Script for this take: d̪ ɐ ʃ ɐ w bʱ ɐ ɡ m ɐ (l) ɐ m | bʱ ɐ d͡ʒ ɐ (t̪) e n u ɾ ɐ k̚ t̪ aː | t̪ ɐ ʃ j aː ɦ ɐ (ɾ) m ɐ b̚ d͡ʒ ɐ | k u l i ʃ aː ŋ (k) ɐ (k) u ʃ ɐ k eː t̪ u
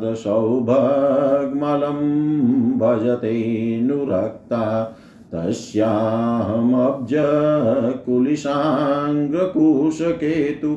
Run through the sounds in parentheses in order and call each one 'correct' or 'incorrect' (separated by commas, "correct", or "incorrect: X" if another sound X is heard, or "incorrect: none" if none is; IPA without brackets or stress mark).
correct, correct, incorrect: none, incorrect: ɡ, correct